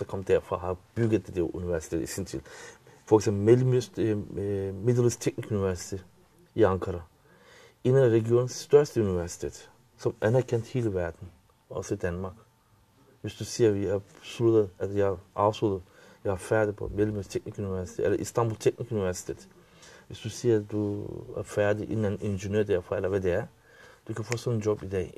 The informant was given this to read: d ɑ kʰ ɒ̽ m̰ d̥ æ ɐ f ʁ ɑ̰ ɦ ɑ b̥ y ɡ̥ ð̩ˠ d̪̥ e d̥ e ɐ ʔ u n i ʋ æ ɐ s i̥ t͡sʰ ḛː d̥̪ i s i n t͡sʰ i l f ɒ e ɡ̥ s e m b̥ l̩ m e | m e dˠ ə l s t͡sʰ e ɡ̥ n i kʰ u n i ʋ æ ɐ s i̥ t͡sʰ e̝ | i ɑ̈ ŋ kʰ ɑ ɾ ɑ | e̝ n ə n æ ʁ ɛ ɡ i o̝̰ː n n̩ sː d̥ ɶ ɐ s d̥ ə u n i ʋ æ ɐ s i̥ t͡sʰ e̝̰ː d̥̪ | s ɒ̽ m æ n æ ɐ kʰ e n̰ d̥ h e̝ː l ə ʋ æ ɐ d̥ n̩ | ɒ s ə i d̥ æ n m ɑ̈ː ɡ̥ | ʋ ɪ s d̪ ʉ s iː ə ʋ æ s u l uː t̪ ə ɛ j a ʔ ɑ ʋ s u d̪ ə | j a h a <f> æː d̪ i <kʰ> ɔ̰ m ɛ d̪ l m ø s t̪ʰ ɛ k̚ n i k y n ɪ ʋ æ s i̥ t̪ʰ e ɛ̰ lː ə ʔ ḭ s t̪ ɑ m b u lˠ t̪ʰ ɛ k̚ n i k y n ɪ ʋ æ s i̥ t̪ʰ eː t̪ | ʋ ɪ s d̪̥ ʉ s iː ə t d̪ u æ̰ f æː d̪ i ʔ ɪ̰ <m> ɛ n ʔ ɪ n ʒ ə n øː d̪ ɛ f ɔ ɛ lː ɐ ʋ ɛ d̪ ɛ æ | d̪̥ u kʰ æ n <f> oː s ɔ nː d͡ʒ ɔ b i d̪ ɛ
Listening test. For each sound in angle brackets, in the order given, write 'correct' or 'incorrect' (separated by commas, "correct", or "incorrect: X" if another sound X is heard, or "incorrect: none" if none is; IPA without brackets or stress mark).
correct, incorrect: pʰ, incorrect: n, correct